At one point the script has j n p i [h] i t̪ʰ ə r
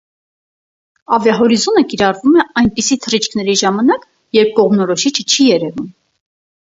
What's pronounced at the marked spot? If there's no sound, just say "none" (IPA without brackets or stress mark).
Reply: s